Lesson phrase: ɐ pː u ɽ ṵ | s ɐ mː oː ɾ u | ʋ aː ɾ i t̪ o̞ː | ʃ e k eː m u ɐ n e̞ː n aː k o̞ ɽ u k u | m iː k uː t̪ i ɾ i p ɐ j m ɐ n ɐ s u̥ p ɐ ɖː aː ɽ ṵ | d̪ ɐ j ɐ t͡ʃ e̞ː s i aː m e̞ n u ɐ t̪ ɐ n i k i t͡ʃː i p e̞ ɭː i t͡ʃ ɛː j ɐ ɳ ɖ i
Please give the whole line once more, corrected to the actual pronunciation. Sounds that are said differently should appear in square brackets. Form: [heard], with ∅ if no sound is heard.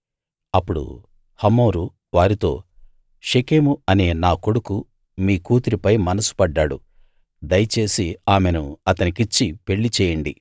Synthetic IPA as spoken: ɐ pː u ɽ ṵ | [h] ɐ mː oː ɾ u | ʋ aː ɾ i t̪ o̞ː | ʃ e k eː m u ɐ n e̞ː n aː k o̞ ɽ u k u | m iː k uː t̪ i ɾ i p ɐ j m ɐ n ɐ s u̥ p ɐ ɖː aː ɽ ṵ | d̪ ɐ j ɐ t͡ʃ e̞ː s i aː m e̞ n u ɐ t̪ ɐ n i k i t͡ʃː i p e̞ ɭː i t͡ʃ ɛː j ɐ ɳ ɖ i

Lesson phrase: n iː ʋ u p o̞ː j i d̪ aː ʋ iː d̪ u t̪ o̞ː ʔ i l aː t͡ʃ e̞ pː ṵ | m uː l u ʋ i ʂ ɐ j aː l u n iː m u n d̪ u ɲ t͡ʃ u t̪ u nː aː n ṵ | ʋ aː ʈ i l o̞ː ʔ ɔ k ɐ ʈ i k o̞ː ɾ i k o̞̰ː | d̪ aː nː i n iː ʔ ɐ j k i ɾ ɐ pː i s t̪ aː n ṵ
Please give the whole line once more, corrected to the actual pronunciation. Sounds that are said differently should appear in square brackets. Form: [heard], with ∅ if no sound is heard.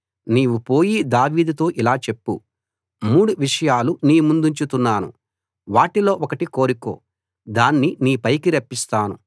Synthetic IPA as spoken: n iː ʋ u p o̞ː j i d̪ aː ʋ iː d̪ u t̪ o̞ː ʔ i l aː t͡ʃ e̞ pː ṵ | m uː [ɽ] u ʋ i ʂ ɐ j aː l u n iː m u n d̪ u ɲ t͡ʃ u t̪ u nː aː n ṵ | ʋ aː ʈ i l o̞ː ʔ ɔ k ɐ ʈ i k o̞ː ɾ i k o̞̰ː | d̪ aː nː i n iː [p] ɐ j k i ɾ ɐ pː i s t̪ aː n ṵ

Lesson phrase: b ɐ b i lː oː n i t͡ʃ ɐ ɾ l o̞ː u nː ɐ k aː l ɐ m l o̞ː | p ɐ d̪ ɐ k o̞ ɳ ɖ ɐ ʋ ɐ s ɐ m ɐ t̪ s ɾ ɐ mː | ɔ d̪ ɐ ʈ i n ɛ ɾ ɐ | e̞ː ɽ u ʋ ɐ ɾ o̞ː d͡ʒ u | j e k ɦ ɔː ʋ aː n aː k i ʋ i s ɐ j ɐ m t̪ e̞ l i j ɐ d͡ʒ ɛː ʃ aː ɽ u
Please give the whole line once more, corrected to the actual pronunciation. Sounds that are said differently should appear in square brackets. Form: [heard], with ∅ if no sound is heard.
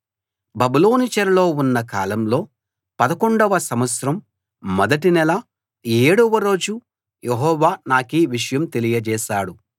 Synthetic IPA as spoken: b ɐ b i [l] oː n i t͡ʃ ɐ ɾ l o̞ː u nː ɐ k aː l ɐ m l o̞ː | p ɐ d̪ ɐ k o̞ ɳ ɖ ɐ ʋ ɐ s ɐ m ɐ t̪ s ɾ ɐ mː | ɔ d̪ ɐ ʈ i n ɛ [l] ɐ | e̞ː ɽ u ʋ ɐ ɾ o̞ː d͡ʒ u | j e [∅] ɦ ɔː ʋ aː n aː k i ʋ i [ʂ] ɐ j ɐ m t̪ e̞ l i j ɐ d͡ʒ ɛː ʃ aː ɽ u

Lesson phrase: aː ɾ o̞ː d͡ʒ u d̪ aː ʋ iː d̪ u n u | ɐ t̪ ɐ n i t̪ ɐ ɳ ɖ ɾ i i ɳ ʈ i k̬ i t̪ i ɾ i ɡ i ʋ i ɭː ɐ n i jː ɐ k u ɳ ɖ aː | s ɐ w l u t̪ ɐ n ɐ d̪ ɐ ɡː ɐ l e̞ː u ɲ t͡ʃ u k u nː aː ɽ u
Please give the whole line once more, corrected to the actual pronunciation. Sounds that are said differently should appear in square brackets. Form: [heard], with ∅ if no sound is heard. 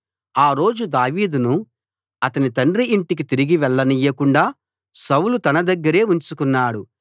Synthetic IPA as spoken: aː ɾ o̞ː d͡ʒ u d̪ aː ʋ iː d̪ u n u | ɐ t̪ ɐ n i t̪ ɐ ɳ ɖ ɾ i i ɳ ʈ i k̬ i t̪ i ɾ i ɡ i ʋ [ɛ] ɭː ɐ n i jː ɐ k u ɳ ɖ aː | s ɐ w l u t̪ ɐ n ɐ d̪ ɐ ɡː ɐ [ɾ] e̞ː u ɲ t͡ʃ u k u nː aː ɽ u

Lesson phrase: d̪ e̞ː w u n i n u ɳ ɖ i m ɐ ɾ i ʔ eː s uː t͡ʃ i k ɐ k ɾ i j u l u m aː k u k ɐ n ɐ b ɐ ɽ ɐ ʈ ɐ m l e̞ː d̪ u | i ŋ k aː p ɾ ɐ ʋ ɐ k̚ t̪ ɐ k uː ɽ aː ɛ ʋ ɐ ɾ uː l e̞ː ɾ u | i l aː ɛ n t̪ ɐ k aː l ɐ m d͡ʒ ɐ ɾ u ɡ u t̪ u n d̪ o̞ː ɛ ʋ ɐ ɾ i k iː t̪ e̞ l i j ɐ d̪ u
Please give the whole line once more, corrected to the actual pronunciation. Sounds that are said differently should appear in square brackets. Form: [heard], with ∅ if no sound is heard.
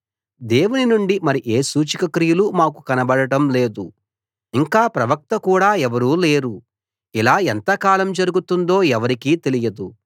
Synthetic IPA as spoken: d̪ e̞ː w u n i n u ɳ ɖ i m ɐ ɾ i ʔ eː s uː t͡ʃ i k ɐ k ɾ i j u l u m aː k u k ɐ n ɐ b ɐ ɽ ɐ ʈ ɐ m l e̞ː d̪ u | i ŋ k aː p ɾ ɐ ʋ ɐ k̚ t̪ ɐ k uː ɽ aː ɛ ʋ ɐ ɾ uː l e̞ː ɾ u | i l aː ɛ n t̪ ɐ k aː l ɐ m d͡ʒ ɐ ɾ u ɡ u t̪ u n d̪ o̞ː ɛ ʋ ɐ ɾ i k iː t̪ e̞ l i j ɐ d̪ u

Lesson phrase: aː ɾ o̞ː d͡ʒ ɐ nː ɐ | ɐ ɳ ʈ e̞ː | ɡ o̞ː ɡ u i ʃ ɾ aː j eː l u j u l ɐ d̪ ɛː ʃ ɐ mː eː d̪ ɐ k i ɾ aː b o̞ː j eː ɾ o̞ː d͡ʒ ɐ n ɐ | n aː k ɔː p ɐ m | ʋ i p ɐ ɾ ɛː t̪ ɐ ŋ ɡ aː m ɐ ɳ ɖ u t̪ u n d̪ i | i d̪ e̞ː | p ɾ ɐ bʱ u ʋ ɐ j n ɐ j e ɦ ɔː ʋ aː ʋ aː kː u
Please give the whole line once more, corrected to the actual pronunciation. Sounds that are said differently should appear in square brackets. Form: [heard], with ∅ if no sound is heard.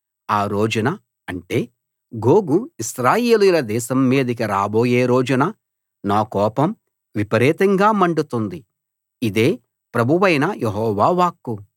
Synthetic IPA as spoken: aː ɾ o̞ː d͡ʒ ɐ [n] ɐ | ɐ ɳ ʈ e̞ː | ɡ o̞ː ɡ u i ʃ ɾ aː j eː l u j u l ɐ d̪ ɛː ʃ ɐ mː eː d̪ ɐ k i ɾ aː b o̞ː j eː ɾ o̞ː d͡ʒ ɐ n ɐ | n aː k ɔː p ɐ m | ʋ i p ɐ ɾ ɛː t̪ ɐ ŋ ɡ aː m ɐ ɳ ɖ u t̪ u n d̪ i | i d̪ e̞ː | p ɾ ɐ bʱ u ʋ ɐ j n ɐ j e ɦ ɔː ʋ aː ʋ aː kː u

